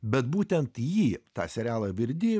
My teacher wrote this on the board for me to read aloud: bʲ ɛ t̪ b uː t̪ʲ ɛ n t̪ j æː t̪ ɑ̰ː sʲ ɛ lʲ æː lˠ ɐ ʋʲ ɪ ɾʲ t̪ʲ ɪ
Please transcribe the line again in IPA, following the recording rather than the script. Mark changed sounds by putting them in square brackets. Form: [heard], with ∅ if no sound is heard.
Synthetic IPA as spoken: bʲ ɛ t̪ b uː t̪ʲ ɛ n t̪ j [iː] t̪ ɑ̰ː sʲ ɛ [ɾʲ] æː lˠ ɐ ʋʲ ɪ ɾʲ [d̪ʲ] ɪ